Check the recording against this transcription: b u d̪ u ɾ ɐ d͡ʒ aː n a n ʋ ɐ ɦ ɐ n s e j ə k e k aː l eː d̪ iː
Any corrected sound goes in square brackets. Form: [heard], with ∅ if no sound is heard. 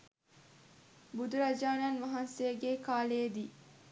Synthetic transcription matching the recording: b u d̪ u ɾ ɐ d͡ʒ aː n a n ʋ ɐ ɦ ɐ n s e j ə [ɡ] e k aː l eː d̪ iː